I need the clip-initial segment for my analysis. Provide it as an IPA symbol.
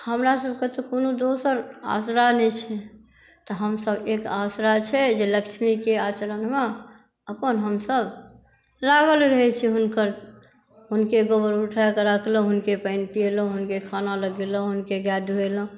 h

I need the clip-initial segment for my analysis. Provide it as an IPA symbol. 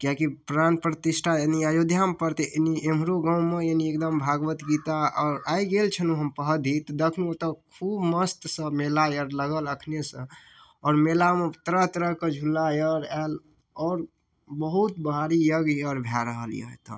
k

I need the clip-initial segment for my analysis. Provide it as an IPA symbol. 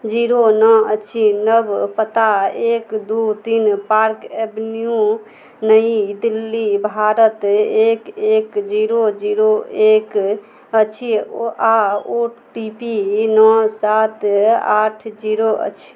d͡ʒ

